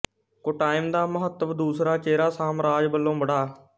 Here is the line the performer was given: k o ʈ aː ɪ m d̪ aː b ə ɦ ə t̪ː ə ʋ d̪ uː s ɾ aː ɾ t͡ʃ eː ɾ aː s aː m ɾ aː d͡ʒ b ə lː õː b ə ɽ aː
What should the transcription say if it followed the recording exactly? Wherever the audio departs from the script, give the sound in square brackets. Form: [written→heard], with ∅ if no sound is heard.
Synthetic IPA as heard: k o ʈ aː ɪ m d̪ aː [b→m] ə ɦ ə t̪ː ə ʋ d̪ uː s ɾ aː [ɾ→∅] t͡ʃ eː ɾ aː s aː m ɾ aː d͡ʒ b ə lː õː b ə ɽ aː

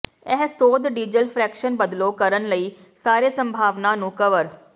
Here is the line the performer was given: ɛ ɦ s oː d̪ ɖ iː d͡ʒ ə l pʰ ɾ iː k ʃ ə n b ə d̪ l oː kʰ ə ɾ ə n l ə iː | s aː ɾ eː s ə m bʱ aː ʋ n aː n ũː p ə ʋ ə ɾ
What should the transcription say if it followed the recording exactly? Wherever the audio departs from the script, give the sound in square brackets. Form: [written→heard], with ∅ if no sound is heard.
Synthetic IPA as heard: ɛ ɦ s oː d̪ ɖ iː d͡ʒ ə l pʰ ɾ [iː→ɛː] k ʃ ə n b ə d̪ l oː [kʰ→k] ə ɾ ə n l ə iː | s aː ɾ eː s ə m bʱ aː ʋ n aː n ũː [p→k] ə ʋ ə ɾ

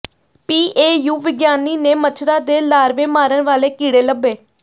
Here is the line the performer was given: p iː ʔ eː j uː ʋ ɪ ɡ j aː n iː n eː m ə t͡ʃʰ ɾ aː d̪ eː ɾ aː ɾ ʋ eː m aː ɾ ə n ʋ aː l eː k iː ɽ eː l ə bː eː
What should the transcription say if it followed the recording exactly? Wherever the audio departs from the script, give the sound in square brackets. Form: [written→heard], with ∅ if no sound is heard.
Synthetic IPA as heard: p iː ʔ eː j uː ʋ ɪ ɡ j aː n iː n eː m ə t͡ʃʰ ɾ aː d̪ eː [ɾ→l] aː ɾ ʋ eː m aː ɾ ə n ʋ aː l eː k iː ɽ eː l ə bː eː

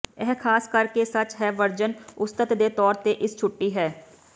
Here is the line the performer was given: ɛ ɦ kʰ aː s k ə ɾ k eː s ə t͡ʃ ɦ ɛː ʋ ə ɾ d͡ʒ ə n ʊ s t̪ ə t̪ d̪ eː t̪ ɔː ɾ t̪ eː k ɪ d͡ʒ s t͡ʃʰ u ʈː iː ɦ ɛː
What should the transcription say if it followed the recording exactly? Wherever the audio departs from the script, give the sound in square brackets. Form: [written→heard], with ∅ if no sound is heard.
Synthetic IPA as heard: ɛ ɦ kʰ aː s k ə ɾ k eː s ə t͡ʃ ɦ ɛː ʋ ə ɾ d͡ʒ ə n ʊ s t̪ ə t̪ d̪ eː t̪ ɔː ɾ t̪ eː [k→ʔ] ɪ [d͡ʒ→∅] s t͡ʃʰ [u→ʊ] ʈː iː ɦ ɛː

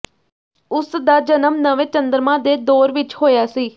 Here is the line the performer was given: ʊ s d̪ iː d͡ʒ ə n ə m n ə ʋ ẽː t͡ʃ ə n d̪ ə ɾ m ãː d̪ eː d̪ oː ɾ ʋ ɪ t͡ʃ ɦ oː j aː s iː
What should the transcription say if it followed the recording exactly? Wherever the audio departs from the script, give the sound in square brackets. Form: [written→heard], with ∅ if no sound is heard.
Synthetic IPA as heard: ʊ s d̪ [iː→aː] d͡ʒ ə n ə m n ə ʋ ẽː t͡ʃ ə n d̪ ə ɾ m ãː d̪ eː d̪ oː ɾ ʋ ɪ t͡ʃ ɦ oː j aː s iː

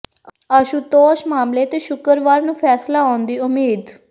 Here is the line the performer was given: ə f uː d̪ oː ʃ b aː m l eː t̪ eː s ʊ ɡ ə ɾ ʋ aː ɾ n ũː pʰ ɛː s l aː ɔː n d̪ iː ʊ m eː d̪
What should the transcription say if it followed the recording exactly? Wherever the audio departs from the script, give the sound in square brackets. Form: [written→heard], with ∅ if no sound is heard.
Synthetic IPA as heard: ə [f→ʃ] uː [d̪→t̪] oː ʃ [b→m] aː m l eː t̪ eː [s→ʃ] ʊ [ɡ→k] ə ɾ ʋ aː ɾ n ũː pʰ ɛː s l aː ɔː n d̪ iː ʊ m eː d̪

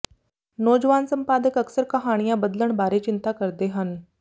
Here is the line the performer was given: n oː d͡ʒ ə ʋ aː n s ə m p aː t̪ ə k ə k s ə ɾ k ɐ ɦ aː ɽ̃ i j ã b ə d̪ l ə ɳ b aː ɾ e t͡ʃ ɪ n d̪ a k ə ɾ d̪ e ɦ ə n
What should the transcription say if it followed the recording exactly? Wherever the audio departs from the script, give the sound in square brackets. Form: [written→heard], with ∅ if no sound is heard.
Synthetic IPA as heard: n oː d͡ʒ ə ʋ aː n s ə m p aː [t̪→d̪] ə k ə k s ə ɾ k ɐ ɦ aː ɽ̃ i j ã b ə d̪ l ə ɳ b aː ɾ e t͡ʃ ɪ n [d̪→t̪] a k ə ɾ d̪ e ɦ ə n

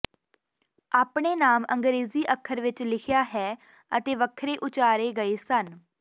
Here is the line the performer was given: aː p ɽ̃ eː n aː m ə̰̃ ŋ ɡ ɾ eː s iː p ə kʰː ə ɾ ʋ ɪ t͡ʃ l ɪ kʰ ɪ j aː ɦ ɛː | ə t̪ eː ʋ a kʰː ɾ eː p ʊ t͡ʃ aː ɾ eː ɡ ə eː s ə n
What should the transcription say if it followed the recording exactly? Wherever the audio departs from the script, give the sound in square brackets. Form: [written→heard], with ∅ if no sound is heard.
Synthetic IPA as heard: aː p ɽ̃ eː n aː m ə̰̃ ŋ ɡ ɾ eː [s→z] iː [p→ʔ] ə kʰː ə ɾ ʋ ɪ t͡ʃ l ɪ kʰ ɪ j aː ɦ ɛː | ə t̪ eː ʋ [a→ə] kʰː ɾ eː [p→ʔ] ʊ t͡ʃ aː ɾ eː ɡ ə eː s ə n

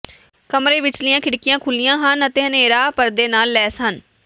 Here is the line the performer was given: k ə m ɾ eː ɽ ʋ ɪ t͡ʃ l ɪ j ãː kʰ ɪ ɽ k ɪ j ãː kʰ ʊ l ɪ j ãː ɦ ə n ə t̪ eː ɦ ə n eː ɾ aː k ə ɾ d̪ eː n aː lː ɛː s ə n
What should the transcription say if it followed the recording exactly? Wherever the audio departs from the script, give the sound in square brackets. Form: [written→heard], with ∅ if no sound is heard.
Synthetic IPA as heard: k ə m ɾ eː [ɽ→∅] ʋ ɪ t͡ʃ l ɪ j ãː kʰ ɪ ɽ k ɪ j ãː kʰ ʊ l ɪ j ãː ɦ ə n ə t̪ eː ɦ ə n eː ɾ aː [k→p] ə ɾ d̪ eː n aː lː ɛː s ə n

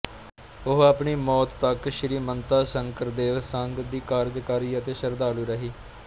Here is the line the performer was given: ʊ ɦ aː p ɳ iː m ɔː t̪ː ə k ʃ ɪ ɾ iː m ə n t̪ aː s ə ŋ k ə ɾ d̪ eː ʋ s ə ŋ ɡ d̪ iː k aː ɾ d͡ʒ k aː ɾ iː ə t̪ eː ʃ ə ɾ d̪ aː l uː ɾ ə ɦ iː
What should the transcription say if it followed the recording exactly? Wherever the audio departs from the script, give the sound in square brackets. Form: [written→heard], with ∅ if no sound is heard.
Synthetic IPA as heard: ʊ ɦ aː p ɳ iː m ɔː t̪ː ə k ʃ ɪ ɾ iː m ə n t̪ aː s ə ŋ k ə ɾ d̪ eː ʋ s ə ŋ ɡ d̪ iː k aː ɾ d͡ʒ k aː ɾ iː ə t̪ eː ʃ ə ɾ d̪ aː l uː ɾ ə ɦ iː

